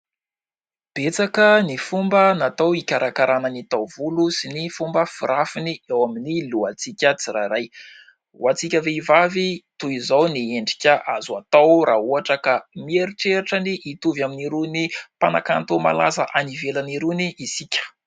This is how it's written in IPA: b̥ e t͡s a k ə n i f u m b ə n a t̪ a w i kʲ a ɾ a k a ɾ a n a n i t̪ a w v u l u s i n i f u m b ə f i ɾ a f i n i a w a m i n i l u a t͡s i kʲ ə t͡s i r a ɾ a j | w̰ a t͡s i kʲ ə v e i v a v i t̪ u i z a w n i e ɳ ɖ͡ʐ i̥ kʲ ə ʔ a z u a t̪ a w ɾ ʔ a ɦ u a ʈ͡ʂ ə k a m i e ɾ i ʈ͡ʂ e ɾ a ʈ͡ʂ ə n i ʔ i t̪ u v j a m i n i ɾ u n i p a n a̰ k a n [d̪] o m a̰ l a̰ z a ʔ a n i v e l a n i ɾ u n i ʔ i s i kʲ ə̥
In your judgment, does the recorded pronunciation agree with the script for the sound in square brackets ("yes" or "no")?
no